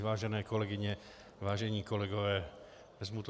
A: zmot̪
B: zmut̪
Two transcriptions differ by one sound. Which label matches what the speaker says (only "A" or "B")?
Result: B